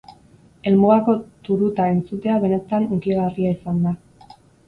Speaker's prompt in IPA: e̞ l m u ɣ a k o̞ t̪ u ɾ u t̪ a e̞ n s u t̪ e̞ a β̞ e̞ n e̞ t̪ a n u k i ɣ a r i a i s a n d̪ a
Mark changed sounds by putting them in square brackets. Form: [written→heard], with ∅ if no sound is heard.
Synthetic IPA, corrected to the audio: e̞ l m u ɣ a k o̞ t̪ u ɾ u t̪ a e̞ n [s→t͡s] u t̪ e̞ a β̞ e̞ n e̞ t̪ a n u k i ɣ a r i a i s a n d̪ a

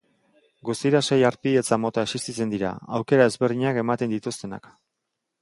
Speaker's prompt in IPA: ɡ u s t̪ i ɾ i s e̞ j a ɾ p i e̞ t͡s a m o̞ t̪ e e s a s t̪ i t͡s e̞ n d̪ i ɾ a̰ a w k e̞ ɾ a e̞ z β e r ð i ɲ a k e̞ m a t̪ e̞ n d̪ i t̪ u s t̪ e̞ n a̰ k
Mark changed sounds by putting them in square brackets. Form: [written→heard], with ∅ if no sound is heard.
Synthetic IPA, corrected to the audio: ɡ u s t̪ i ɾ [i→a] s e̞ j a ɾ p i e̞ t͡s a m o̞ t̪ [e→a] e s [a→i] s t̪ i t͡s e̞ n d̪ i ɾ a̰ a w k e̞ ɾ a e̞ z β e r ð i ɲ a k e̞ m a t̪ e̞ n d̪ i t̪ u s t̪ e̞ n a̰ k

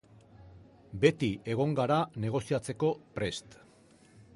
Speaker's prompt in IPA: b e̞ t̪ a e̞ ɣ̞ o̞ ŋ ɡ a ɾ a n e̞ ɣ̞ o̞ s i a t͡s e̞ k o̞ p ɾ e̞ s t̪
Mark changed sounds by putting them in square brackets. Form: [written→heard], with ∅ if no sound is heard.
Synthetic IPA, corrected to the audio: b e̞ t̪ [a→i] e̞ ɣ̞ o̞ ŋ ɡ a ɾ a n e̞ ɣ̞ o̞ s i a t͡s e̞ k o̞ p ɾ e̞ s t̪

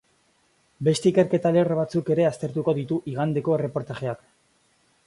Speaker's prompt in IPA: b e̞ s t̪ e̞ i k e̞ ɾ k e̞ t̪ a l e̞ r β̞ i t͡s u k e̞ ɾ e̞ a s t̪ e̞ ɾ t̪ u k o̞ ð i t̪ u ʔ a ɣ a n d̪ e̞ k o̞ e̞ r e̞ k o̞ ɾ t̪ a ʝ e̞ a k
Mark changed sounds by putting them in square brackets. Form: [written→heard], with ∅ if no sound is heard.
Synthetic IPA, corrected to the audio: b e̞ s t̪ e̞ i k e̞ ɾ k e̞ t̪ a l e̞ r β̞ [i→a] t͡s u k e̞ ɾ e̞ a s t̪ e̞ ɾ t̪ u k o̞ ð i t̪ u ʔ [a→i] ɣ a n d̪ e̞ k o̞ e̞ r e̞ [k→p] o̞ ɾ t̪ a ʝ e̞ a k

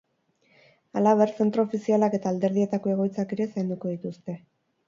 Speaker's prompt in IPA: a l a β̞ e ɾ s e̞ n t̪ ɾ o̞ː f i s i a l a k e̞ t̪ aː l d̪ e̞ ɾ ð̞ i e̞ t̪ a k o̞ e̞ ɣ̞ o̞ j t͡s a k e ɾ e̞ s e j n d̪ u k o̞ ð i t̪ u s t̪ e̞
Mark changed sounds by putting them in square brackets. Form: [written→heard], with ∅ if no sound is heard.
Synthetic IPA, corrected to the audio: a l a β̞ e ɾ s e̞ n t̪ ɾ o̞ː f i s i a l a k e̞ t̪ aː l d̪ e̞ ɾ ð̞ i e̞ t̪ a k o̞ e̞ ɣ̞ o̞ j t͡s a k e ɾ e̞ s [e→a] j n d̪ u k o̞ ð i t̪ u s t̪ e̞

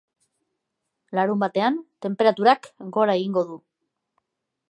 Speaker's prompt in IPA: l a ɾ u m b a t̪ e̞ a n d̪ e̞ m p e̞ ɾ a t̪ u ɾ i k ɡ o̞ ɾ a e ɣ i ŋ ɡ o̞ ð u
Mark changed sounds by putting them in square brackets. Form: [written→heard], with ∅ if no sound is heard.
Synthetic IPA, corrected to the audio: l a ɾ u m b a t̪ e̞ a n [d̪→t̪] e̞ m p e̞ ɾ a t̪ u ɾ [i→a] k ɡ o̞ ɾ a e ɣ i ŋ ɡ o̞ ð u

